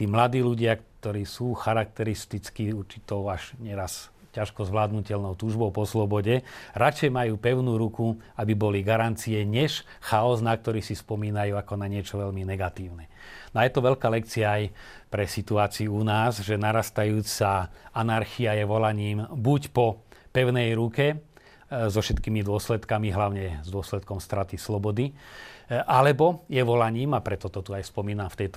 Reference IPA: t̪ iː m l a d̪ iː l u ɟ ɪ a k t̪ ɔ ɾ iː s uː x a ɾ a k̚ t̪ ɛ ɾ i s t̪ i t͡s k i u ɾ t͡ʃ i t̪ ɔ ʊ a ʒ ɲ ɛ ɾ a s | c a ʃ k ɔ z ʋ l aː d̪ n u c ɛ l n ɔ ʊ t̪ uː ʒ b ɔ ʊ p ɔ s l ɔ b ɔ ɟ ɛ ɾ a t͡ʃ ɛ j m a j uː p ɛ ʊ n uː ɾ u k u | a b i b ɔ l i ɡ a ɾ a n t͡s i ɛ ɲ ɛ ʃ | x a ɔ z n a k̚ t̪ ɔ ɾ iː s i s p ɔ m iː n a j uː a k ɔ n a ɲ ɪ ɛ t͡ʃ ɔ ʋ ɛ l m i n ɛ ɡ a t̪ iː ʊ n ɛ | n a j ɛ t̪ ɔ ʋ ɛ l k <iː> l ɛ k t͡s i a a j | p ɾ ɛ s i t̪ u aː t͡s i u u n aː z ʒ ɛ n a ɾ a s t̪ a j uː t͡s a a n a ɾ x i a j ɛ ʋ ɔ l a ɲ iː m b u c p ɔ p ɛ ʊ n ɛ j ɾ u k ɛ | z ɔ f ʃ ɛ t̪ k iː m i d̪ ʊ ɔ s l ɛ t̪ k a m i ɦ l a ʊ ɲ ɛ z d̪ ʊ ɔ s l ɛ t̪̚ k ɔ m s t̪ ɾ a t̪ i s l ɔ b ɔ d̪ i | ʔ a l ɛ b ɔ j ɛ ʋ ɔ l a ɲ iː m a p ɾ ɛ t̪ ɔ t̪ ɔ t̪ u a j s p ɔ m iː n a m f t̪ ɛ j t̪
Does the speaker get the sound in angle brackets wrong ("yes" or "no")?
yes